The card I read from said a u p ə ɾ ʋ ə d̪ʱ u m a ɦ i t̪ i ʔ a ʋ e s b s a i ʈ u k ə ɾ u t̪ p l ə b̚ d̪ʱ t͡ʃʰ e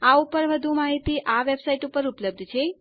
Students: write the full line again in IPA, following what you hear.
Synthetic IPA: a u p ə ɾ ʋ ə d̪ʱ u m a ɦ i t̪ i ʔ a ʋ e b s a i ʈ u p ə ɾ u p l ə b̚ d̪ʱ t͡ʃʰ e

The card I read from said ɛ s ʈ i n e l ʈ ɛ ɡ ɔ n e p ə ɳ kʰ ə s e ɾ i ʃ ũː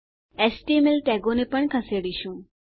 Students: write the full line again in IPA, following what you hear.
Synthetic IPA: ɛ s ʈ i m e l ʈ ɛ ɡ o n e p ə ɳ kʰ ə s e ɽ i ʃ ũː

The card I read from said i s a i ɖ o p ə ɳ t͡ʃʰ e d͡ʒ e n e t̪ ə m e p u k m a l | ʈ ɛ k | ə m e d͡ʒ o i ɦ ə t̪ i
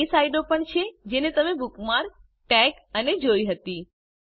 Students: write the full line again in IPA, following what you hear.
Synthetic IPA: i s a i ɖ o p ə ɳ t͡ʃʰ e d͡ʒ e n e t̪ ə m e b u k m a ɾ | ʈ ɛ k | ə n e d͡ʒ o i ɦ ə t̪ i

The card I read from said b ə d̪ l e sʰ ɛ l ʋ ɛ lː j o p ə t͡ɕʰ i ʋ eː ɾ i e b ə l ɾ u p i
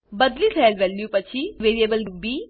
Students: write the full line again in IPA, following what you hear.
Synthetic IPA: b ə d̪ l i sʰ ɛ l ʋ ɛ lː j u p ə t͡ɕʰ i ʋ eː ɾ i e b ə l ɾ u b i

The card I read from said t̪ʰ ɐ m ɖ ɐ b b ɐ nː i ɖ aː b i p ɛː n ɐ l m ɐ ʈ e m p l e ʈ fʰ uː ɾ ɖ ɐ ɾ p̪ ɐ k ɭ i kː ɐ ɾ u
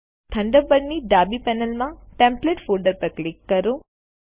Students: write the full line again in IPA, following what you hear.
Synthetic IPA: t̪ʰ ɐ ɳ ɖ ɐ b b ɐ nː i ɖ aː b i p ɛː n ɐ l m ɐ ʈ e m p l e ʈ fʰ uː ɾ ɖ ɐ ɾ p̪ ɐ k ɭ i kː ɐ ɾ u

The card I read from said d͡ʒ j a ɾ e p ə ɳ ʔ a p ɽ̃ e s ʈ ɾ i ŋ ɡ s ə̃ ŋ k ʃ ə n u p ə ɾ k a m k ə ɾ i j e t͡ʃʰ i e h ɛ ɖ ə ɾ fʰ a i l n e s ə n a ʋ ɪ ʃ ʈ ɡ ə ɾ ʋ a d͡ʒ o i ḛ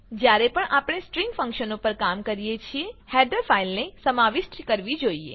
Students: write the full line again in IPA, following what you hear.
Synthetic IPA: d͡ʒ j a ɾ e p ə ɳ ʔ a p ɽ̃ e s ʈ ɾ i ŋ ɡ f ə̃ ŋ k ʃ ə n o p ə ɾ k a m k ə ɾ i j e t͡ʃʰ i e h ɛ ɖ ə ɾ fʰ a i l n e s ə m a ʋ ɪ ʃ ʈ k ə ɾ ʋ i d͡ʒ o i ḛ

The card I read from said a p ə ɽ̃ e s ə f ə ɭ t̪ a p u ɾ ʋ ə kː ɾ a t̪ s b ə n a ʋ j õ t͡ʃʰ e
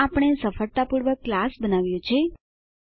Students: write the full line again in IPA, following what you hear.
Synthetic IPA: a p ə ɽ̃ e s ə f ə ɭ t̪ a p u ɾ ʋ ə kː l a s b ə n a ʋ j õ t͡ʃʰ e

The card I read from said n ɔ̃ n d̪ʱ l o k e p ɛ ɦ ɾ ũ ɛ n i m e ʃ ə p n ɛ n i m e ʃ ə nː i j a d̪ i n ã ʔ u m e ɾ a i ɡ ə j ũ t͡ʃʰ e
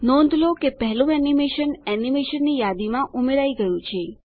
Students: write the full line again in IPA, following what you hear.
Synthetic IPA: n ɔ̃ n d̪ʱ l o k e p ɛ ɦ l ũ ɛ n i m e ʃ ə n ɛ n i m e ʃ ə nː i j a d̪ i m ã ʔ u m e ɾ a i ɡ ə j ũ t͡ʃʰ e

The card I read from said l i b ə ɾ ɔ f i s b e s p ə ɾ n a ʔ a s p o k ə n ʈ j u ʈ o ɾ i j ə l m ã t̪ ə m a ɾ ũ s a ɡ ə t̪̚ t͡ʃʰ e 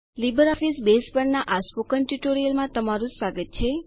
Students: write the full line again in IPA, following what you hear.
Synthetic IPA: l i b ə ɾ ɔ f i s b e s p ə ɾ n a ʔ a s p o k ə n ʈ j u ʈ o ɾ i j ə l m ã t̪ ə m a ɾ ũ s a ɡ ə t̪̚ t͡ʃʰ e

